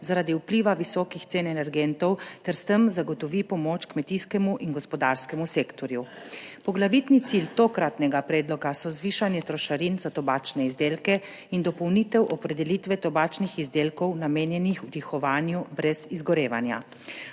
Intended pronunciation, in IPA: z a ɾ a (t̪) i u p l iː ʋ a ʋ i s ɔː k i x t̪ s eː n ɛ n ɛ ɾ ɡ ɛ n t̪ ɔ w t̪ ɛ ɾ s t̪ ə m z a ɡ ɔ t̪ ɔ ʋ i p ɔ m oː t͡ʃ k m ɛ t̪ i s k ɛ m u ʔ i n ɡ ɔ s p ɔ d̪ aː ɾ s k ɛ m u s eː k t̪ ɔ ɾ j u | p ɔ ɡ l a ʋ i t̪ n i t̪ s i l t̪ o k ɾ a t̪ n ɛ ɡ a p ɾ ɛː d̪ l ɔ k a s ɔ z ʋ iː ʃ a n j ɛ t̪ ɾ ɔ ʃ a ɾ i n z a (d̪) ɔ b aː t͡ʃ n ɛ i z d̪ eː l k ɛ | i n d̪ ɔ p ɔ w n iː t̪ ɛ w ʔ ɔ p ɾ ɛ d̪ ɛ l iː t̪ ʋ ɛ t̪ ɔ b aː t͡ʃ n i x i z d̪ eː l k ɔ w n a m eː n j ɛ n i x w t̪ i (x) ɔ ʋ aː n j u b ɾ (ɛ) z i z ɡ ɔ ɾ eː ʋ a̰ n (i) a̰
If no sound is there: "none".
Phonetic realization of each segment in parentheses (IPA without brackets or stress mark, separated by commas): d̪, t̪, x, ɛ, j